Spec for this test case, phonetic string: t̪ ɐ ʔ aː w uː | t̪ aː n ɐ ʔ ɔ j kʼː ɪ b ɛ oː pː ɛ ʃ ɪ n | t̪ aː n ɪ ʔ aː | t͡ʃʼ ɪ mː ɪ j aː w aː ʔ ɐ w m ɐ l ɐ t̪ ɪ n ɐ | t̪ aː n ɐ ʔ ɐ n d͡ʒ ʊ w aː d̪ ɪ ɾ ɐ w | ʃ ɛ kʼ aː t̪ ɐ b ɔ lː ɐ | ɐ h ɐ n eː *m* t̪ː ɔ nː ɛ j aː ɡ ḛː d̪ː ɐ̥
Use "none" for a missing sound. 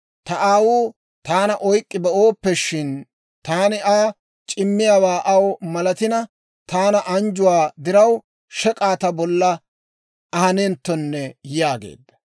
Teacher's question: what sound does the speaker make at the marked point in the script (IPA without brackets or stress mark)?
n